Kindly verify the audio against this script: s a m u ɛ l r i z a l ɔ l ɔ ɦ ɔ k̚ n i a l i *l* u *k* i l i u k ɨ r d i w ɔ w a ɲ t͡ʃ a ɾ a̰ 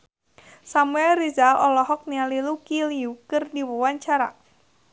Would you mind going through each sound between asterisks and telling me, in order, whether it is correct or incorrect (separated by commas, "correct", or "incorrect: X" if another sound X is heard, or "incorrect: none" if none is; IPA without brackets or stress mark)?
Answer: correct, correct